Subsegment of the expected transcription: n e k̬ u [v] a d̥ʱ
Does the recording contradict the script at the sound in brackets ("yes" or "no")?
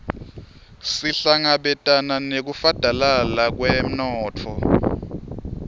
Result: yes